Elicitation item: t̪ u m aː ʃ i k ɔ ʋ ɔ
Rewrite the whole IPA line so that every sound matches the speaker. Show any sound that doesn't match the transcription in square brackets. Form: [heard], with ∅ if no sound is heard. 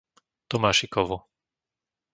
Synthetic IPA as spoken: t̪ [ɔ] m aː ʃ i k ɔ ʋ [u]